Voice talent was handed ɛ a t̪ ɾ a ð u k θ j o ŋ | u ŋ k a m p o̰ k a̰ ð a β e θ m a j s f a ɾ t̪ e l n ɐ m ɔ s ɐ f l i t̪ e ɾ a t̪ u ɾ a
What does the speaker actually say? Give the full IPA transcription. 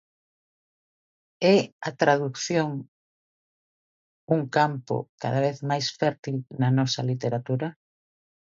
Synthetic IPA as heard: ɛ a t̪ ɾ a ð u k θ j o ŋ | u ŋ k a m p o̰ k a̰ ð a β e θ m a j s f ɛ ɾ t̪ i l n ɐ n ɔ s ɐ l i t̪ e ɾ a t̪ u ɾ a